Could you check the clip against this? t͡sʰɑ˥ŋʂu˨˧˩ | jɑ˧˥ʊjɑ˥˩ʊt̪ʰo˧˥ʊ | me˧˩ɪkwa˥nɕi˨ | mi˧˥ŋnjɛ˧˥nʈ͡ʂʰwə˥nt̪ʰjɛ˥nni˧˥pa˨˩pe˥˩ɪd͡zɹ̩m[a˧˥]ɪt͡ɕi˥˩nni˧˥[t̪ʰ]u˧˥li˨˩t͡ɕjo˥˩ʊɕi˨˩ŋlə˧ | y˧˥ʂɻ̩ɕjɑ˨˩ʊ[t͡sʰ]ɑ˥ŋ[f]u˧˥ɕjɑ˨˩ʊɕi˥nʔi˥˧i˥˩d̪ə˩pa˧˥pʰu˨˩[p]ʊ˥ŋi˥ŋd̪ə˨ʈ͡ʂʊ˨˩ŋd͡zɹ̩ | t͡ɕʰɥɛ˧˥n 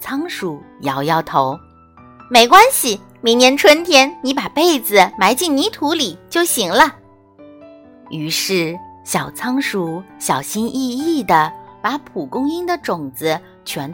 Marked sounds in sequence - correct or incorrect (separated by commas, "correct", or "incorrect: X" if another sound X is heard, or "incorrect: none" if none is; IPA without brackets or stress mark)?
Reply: correct, correct, correct, incorrect: ʂ, incorrect: k